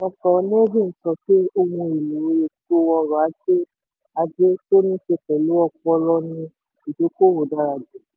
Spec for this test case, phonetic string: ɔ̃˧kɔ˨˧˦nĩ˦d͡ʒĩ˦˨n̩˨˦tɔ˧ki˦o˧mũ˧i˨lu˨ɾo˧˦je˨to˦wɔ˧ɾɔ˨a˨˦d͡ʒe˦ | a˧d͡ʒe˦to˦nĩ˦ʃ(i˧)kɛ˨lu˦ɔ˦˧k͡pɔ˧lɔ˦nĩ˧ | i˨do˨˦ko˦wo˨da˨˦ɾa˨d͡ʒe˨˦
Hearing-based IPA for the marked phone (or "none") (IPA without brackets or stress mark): e˧